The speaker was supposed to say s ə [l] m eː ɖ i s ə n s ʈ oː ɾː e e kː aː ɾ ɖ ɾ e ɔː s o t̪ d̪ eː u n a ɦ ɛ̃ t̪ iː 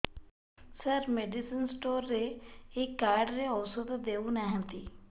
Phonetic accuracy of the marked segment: incorrect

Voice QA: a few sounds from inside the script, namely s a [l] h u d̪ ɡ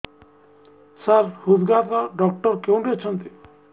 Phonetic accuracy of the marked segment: incorrect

